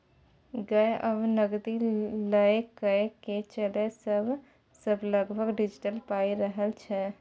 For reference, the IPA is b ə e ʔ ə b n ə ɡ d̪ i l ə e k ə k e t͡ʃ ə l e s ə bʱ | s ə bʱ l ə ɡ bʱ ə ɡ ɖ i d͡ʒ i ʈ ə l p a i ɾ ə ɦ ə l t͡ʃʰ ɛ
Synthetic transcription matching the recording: ɡ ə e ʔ ə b n ə ɡ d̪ i l ə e k ə k e t͡ʃ ə l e s ə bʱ | s ə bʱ l ə ɡ bʱ ə ɡ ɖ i d͡ʒ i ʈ ə l p a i ɾ ə ɦ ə l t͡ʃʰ ɛ